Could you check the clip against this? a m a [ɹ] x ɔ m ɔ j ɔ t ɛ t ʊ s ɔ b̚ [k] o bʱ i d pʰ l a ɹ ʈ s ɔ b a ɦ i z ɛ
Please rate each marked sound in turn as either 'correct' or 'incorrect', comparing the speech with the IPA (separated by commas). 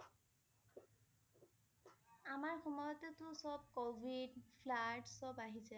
correct, correct